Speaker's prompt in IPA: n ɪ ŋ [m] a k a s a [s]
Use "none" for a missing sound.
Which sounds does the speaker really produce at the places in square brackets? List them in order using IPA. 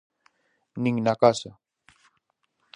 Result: n, none

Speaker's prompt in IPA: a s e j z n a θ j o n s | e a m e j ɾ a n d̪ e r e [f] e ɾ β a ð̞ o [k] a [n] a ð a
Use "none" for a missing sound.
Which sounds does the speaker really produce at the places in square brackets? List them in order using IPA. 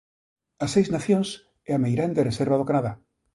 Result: s, k, n

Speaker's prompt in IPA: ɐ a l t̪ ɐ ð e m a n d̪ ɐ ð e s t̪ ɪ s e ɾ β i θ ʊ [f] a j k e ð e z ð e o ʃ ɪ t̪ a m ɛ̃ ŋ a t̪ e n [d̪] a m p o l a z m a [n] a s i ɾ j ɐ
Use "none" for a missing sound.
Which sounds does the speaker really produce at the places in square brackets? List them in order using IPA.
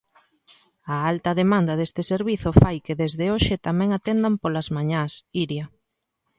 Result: f, d̪, ɲ

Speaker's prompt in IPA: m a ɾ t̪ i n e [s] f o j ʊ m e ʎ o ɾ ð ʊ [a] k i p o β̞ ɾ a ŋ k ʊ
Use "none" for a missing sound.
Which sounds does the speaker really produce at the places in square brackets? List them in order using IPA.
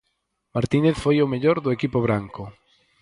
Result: θ, e

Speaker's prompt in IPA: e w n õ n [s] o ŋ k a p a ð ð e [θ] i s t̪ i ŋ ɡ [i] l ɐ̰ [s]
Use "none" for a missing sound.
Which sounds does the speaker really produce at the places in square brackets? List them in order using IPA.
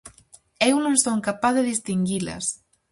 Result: s, ð, i, s

